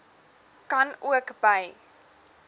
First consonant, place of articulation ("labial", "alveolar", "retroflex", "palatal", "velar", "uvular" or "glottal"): velar